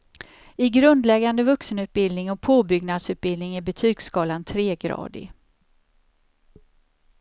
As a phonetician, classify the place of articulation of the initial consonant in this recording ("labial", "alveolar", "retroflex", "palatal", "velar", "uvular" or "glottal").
velar